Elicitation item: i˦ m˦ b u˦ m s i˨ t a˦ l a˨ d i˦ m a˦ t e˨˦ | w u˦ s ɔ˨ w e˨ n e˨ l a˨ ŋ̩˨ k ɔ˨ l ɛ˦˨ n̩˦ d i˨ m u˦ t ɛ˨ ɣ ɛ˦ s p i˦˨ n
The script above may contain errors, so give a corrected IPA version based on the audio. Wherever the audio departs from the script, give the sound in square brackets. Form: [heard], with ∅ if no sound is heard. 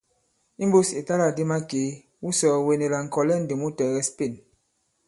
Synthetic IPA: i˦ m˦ b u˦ [∅] s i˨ t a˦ l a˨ d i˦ m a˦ [k] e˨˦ | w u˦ s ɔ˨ w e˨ n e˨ l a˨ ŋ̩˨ k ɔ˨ l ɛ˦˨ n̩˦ d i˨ m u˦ t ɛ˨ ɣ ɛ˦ s p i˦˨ n